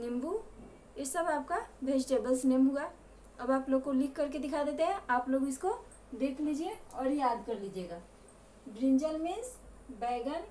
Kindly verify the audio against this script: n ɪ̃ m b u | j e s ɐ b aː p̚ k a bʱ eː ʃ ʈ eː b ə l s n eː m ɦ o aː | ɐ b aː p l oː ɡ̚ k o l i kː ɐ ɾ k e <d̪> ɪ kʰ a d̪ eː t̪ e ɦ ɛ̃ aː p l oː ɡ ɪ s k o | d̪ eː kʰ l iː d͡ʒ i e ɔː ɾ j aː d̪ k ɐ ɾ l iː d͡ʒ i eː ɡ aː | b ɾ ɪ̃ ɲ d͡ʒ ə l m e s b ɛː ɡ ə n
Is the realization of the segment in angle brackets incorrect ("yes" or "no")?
no